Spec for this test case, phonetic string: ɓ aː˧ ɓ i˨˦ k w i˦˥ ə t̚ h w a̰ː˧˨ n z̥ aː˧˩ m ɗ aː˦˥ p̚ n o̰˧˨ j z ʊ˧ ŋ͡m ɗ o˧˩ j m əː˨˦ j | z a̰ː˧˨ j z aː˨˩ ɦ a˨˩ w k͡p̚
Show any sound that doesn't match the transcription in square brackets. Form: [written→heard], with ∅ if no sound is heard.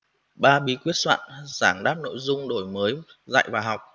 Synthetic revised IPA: ɓ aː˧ ɓ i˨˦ k w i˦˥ ə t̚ [h→s] w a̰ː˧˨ n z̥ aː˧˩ [m→ŋ] ɗ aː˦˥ p̚ n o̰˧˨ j z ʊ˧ ŋ͡m ɗ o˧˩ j m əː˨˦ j | z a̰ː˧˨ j [z→v] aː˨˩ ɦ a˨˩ w k͡p̚